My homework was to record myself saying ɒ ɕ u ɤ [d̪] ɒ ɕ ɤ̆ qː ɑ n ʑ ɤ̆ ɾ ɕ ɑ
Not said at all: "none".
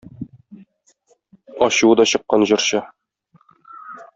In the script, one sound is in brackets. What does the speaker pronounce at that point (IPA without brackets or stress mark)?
d̪